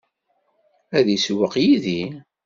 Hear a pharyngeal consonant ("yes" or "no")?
no